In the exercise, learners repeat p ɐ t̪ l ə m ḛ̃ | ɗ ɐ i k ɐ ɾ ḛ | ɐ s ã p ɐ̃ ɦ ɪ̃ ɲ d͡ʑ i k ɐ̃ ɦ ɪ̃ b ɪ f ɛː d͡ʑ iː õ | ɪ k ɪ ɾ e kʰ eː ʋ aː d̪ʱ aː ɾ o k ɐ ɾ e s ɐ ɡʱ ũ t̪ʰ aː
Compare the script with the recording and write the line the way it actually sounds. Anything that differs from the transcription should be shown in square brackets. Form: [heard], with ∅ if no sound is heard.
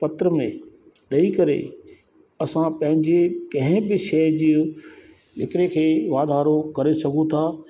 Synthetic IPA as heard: p ɐ t̪ [ɾ] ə m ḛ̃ | ɗ ɐ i k ɐ ɾ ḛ | ɐ s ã p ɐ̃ ɦ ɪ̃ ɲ d͡ʑ [e] k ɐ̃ ɦ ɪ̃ b ɪ [ʃ] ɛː d͡ʑ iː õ | ɪ k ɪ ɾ e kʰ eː ʋ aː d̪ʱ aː ɾ o k ɐ ɾ e s ɐ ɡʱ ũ t̪ʰ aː